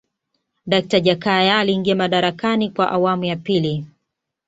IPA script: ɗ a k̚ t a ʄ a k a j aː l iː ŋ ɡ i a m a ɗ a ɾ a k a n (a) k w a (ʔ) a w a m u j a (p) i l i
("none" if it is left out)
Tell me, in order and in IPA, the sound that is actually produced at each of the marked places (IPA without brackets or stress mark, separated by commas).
i, ʔ, p